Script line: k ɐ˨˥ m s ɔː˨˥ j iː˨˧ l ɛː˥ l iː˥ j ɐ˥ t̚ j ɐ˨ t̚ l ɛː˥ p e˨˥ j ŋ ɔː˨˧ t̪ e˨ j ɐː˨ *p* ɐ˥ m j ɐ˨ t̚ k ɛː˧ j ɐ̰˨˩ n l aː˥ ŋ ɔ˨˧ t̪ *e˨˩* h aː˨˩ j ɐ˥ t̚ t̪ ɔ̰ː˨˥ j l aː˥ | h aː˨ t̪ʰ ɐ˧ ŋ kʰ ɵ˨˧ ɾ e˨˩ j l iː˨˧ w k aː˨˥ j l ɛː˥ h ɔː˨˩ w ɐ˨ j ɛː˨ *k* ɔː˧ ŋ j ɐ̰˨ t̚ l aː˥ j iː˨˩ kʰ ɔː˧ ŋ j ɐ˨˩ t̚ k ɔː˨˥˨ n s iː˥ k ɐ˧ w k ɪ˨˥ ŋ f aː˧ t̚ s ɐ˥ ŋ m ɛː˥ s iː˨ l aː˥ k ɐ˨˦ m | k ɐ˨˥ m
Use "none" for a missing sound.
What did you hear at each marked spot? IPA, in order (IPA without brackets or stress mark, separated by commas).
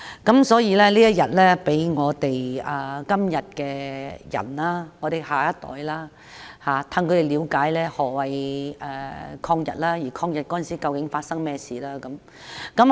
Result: k, e˨˩, kʰ